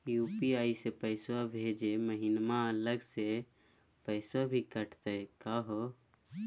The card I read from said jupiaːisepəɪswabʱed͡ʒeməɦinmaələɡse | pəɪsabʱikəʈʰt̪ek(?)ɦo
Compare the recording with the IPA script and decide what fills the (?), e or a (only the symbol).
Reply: a